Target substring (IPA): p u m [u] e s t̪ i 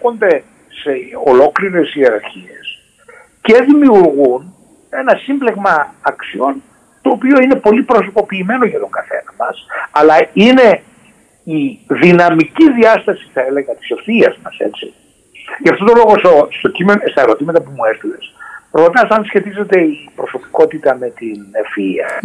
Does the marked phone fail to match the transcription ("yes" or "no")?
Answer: no